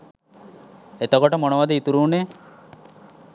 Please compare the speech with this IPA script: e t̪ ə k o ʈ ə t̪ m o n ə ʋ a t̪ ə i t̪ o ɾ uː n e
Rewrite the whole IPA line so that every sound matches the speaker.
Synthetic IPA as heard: e t̪ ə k o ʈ ə m o n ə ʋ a d̪ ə i t̪ u ɾ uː n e